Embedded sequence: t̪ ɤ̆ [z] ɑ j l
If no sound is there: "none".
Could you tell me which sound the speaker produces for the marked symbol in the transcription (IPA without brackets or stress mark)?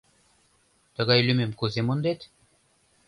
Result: ɣ